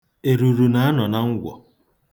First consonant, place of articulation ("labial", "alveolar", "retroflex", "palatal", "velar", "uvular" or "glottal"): alveolar